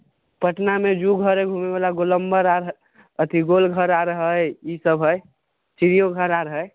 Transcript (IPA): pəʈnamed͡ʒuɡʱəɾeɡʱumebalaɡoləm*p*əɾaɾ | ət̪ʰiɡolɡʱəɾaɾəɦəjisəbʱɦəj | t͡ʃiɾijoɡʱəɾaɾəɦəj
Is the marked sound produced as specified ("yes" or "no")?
no